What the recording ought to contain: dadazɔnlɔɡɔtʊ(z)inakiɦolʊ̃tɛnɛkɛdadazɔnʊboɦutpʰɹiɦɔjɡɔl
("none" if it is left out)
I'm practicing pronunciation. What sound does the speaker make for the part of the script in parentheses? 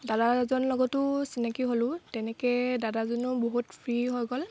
s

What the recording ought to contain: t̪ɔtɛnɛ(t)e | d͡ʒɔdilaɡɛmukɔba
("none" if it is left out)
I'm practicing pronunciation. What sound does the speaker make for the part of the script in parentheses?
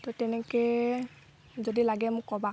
k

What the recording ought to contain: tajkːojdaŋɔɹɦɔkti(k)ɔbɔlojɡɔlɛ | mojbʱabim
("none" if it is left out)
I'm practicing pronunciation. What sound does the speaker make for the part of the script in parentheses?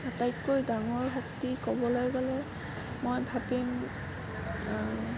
k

